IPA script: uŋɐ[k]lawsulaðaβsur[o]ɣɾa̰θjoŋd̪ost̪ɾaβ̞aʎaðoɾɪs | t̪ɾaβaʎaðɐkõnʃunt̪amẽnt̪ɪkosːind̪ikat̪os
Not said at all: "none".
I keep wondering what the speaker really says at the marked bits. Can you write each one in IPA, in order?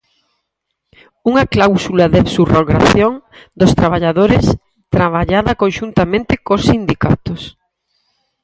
k, o

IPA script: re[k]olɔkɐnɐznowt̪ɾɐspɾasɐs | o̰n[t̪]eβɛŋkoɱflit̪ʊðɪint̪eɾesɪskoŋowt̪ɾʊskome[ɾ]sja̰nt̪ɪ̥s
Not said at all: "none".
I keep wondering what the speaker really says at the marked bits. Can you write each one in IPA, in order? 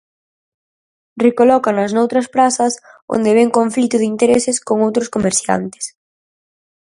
k, d̪, ɾ

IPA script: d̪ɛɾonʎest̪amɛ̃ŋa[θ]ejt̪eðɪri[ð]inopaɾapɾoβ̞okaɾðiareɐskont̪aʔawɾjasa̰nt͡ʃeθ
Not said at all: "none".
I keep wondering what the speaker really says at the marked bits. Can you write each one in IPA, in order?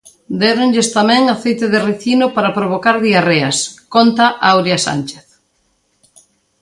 θ, θ

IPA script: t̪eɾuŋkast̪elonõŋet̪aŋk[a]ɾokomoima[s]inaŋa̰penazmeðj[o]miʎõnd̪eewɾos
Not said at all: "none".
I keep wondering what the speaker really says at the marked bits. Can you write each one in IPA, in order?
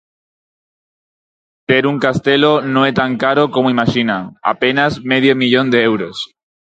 a, ʃ, o

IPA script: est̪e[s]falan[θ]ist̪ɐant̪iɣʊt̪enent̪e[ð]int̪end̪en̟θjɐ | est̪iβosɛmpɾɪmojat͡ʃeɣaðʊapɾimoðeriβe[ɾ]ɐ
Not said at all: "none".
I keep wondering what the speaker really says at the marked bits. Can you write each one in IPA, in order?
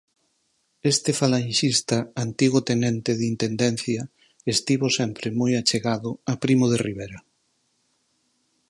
none, ʃ, ð, ɾ

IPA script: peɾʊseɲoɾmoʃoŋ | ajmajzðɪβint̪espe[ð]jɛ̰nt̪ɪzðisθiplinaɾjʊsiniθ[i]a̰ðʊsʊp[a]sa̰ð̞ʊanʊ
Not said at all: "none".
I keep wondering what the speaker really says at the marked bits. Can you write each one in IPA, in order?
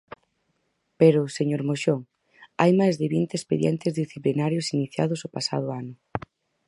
ð, j, a

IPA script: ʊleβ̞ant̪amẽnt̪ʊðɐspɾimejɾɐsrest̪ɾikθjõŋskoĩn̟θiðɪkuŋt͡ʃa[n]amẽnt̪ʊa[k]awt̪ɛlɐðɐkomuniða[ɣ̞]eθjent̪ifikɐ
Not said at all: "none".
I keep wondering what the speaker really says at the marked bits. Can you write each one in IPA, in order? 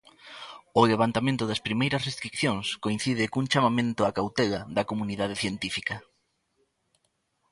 m, k, ð̞

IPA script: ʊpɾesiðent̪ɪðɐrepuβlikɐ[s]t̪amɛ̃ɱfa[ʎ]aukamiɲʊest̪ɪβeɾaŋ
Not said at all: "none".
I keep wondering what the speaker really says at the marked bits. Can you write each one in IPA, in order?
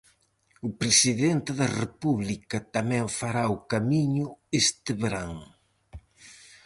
none, ɾ

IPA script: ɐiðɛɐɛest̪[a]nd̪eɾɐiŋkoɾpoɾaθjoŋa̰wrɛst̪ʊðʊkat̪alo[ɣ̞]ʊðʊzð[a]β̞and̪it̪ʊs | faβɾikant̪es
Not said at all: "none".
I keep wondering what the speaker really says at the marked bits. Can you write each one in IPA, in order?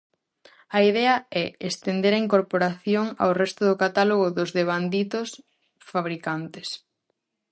e, ɣ̞, e

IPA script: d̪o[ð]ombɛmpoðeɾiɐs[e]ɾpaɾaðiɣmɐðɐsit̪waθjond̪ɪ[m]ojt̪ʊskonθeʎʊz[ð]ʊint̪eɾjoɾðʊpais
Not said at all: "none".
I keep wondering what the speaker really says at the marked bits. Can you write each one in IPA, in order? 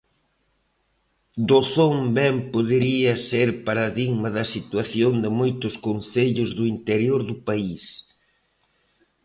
θ, e, m, ð

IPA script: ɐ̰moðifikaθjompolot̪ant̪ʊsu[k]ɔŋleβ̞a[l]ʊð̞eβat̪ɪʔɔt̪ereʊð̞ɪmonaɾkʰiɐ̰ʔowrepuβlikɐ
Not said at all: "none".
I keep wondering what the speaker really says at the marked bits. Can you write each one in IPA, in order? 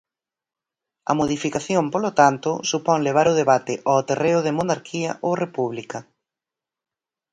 p, ɾ

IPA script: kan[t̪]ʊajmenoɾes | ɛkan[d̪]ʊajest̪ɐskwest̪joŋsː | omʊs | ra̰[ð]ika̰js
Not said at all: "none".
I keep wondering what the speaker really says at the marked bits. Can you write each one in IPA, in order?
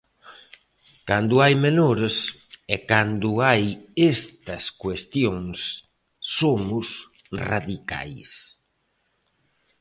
d̪, d̪, ð

